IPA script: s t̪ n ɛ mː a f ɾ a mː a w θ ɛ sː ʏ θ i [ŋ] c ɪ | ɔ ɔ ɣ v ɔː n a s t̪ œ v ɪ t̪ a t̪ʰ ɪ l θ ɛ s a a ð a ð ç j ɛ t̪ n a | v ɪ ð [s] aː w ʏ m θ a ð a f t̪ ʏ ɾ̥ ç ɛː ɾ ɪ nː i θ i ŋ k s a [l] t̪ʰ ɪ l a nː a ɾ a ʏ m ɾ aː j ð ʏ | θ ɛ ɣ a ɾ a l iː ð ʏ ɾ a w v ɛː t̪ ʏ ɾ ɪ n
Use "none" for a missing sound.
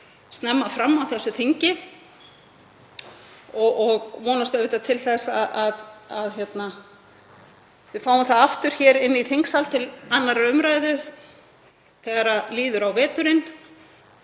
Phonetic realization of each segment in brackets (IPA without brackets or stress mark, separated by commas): ɲ, f, l